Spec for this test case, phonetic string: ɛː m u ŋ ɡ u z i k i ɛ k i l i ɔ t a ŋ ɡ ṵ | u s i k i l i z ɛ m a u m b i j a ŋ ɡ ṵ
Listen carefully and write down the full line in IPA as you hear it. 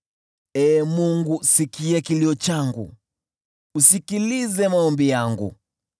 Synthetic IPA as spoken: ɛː m u ŋ ɡ u s i k i ɛ k i l i ɔ t͡ʃ a ŋ ɡ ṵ | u s i k i l i z ɛ m a ɔ m b i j a ŋ ɡ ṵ

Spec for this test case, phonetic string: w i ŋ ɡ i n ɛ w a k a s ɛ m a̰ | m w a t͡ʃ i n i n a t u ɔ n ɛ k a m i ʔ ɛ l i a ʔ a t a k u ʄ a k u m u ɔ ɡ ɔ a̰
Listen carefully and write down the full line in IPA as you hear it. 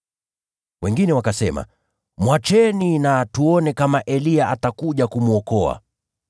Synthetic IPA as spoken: w ɛ ŋ ɡ i n ɛ w a k a s ɛ m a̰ | m w a t͡ʃ ɛ n i n a t u ɔ n ɛ k a m a ʔ ɛ l i a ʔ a t a k u ʄ a k u m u ɔ k ɔ a̰

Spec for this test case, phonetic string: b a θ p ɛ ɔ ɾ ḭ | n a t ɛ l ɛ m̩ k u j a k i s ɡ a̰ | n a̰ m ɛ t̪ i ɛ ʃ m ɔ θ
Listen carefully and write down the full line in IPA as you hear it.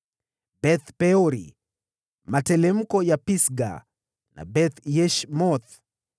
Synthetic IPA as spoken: b ɛ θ p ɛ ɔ ɾ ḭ | m a t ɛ l ɛ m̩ k ɔ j a p i s ɡ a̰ | n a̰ b ɛ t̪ j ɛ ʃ m ɔ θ

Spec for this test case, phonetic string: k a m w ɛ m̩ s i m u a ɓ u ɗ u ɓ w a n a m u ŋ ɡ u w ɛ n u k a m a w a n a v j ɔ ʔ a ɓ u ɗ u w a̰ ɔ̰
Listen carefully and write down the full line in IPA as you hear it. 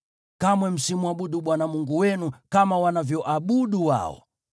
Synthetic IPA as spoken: k a m w ɛ m̩ s i m u a ɓ u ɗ u ɓ w a n a m u ŋ ɡ u w ɛ n u k a m a w a n a v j ɔ ʔ a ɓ u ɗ u w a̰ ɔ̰

